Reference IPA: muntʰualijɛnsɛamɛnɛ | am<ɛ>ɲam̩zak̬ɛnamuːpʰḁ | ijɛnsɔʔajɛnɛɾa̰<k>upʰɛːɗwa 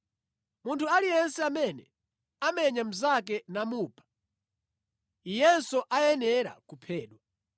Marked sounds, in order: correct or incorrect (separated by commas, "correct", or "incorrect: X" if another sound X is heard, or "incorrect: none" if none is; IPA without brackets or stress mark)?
correct, correct